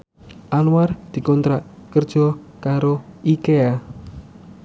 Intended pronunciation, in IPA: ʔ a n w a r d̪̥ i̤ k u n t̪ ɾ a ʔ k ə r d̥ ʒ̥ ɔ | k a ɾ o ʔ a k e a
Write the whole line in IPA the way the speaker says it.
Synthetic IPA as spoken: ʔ a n w a r d̪̥ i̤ k ɔ n t̪ ɾ a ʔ k ə r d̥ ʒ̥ ɔ | k a ɾ o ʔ i k e a